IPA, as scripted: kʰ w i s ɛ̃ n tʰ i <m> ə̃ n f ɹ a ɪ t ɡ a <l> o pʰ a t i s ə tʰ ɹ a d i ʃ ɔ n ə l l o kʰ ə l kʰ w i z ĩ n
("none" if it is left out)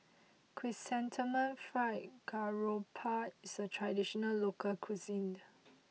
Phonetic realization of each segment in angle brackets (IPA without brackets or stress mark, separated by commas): m, ɹ